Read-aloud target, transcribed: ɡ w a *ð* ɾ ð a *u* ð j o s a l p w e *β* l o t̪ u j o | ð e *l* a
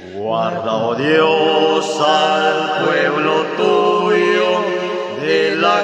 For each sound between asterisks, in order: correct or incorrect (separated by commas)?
incorrect, incorrect, correct, correct